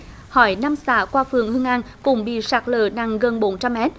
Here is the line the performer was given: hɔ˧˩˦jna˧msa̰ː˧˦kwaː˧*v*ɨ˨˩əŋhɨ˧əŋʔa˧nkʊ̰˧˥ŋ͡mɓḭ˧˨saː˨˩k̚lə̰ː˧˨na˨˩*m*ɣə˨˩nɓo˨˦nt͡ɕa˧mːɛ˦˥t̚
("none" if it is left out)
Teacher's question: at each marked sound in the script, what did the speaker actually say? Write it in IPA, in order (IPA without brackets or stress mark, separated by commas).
f, ŋ